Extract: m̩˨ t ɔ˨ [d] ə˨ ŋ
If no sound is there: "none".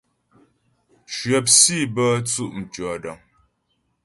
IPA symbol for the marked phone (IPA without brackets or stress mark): d